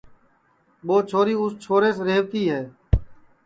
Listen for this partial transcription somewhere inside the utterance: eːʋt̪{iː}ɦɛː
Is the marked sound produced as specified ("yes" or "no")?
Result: yes